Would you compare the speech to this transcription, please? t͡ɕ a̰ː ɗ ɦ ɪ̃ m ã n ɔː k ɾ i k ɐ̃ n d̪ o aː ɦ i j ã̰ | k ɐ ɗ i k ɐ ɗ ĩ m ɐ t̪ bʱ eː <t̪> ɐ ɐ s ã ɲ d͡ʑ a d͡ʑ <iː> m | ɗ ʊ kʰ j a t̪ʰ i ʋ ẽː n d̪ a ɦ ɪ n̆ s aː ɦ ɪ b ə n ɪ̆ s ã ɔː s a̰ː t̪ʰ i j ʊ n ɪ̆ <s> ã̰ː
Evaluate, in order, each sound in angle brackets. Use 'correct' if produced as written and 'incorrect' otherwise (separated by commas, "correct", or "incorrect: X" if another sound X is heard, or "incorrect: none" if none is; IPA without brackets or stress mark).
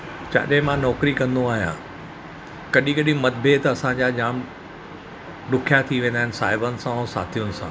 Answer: correct, incorrect: aː, correct